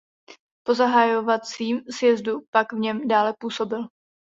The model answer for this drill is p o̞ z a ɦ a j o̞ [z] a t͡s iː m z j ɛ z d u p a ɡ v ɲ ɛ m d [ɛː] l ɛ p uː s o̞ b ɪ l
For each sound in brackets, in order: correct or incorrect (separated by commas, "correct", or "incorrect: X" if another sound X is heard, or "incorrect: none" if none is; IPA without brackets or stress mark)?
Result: incorrect: v, incorrect: aː